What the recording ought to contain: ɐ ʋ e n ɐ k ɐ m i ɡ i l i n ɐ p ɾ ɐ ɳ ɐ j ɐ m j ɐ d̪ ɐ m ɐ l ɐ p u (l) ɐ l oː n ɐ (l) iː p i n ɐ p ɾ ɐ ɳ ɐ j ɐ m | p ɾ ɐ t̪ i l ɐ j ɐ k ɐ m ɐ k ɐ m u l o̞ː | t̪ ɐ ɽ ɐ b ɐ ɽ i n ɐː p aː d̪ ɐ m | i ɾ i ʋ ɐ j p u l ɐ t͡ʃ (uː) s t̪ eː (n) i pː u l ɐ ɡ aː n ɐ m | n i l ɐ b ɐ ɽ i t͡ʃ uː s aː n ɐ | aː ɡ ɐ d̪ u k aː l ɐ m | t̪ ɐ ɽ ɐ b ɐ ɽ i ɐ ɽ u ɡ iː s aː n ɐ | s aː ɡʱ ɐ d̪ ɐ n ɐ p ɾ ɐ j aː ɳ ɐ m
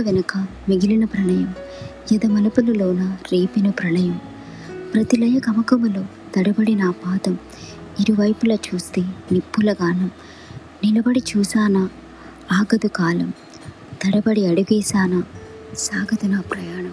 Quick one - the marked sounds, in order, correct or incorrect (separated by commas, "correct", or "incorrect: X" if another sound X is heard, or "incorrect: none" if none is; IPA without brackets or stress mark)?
correct, incorrect: ɾ, correct, correct